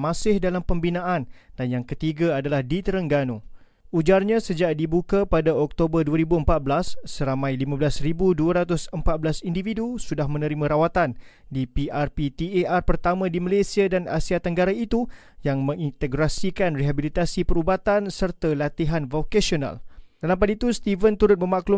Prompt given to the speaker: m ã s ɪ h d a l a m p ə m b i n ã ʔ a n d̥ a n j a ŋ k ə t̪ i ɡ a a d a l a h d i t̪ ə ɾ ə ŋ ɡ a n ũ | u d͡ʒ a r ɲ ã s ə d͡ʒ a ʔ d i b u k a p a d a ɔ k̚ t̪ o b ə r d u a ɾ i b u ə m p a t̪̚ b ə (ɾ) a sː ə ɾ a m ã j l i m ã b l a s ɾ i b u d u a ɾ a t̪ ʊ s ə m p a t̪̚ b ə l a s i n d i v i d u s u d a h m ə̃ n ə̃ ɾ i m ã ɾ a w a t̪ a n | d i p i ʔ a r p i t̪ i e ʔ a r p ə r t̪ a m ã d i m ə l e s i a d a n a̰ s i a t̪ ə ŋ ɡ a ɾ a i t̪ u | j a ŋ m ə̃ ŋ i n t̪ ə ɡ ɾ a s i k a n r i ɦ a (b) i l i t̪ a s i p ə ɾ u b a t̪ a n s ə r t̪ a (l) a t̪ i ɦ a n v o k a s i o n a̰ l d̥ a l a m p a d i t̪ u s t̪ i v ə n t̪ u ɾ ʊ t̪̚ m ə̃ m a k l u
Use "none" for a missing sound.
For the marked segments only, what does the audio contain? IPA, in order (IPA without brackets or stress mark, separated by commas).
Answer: l, b, l